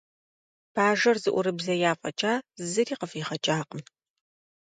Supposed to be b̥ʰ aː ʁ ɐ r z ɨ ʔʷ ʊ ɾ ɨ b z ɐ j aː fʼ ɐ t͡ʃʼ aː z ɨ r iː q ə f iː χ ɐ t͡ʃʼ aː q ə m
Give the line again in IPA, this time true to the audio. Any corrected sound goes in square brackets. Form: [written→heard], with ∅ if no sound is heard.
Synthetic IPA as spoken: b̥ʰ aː [ʁ→ʒ] ɐ r z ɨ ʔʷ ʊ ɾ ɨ b z ɐ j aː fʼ ɐ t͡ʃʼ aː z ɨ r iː q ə f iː χ ɐ t͡ʃʼ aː q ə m